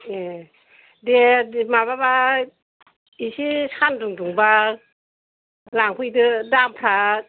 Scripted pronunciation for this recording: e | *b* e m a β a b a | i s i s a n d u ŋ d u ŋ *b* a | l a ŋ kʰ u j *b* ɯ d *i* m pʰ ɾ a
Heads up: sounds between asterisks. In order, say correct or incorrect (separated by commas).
incorrect, correct, incorrect, incorrect